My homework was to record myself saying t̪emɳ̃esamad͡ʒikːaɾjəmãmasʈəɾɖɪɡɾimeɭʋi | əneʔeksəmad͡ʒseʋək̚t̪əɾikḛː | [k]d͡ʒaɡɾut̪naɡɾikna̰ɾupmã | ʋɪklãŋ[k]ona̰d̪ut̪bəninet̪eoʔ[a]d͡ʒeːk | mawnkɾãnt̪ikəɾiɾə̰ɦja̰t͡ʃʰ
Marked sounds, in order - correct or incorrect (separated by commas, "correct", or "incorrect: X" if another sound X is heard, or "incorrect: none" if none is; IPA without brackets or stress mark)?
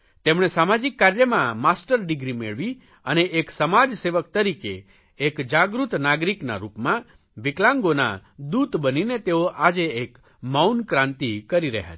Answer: correct, incorrect: ɡ, correct